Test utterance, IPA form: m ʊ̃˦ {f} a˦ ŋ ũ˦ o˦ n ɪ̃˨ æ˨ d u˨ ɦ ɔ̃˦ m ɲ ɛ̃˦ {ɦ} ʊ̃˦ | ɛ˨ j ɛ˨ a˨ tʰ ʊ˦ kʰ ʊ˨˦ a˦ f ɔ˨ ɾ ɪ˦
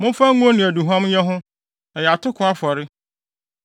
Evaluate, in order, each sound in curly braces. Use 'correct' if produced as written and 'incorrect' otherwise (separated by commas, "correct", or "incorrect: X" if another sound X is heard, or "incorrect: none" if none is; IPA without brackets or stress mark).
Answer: correct, correct